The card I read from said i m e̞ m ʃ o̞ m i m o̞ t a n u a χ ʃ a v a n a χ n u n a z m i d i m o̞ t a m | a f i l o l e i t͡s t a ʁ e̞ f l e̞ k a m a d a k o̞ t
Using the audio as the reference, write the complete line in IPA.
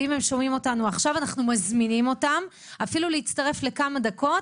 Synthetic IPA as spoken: i m e̞ m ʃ o̞ m i m o̞ t a n u a χ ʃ a v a n a χ n u m a z m i n i m o̞ t a m | a f i l u l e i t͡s t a ʁ e̞ f l e̞ k a m a d a k o̞ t